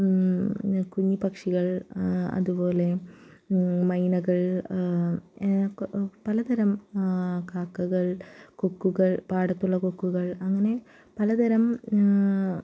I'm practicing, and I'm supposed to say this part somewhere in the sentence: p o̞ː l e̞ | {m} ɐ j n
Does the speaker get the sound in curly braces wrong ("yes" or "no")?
no